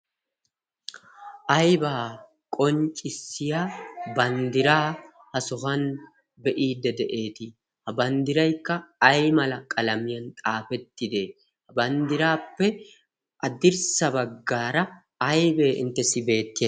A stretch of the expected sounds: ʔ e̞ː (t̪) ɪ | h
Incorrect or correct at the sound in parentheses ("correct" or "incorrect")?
correct